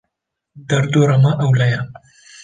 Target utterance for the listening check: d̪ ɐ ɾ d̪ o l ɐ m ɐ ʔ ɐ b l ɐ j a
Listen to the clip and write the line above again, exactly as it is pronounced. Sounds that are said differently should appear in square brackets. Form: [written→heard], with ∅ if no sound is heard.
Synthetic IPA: d̪ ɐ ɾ d̪ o [l→ɾ] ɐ m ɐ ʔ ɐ [b→w] l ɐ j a